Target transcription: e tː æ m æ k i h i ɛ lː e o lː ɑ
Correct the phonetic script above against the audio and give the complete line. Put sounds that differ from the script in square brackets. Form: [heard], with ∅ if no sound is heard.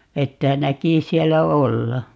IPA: e tː æ [n] æ k i [s] i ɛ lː [æ] o lː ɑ